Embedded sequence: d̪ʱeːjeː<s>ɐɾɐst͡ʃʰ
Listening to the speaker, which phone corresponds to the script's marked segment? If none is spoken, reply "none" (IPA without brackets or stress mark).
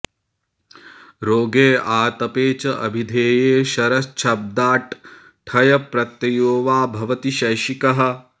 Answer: ʃ